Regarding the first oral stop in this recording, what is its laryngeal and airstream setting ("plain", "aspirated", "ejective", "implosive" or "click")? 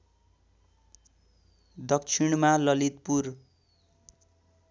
plain